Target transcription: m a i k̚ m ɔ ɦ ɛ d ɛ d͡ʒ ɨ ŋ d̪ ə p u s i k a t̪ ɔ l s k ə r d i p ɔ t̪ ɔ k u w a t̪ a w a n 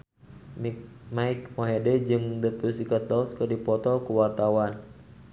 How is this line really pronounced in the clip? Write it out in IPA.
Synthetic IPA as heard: m a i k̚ m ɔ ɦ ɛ d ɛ d͡ʒ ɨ ŋ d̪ ə p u s i k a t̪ ɔ l s k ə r d i p ɔ t̪ ɔ k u w a t̪ a w a n